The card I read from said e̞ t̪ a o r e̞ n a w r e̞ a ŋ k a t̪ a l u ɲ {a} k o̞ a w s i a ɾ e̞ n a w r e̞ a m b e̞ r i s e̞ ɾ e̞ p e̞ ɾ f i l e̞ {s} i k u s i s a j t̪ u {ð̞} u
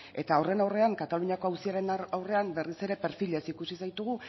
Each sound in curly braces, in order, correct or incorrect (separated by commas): correct, correct, incorrect